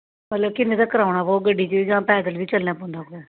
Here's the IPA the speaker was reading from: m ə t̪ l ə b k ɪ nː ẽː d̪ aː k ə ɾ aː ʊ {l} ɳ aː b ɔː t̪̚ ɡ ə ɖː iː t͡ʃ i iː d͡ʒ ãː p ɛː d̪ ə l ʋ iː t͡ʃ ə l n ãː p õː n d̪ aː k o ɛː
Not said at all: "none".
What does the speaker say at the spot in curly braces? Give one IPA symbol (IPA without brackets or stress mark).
none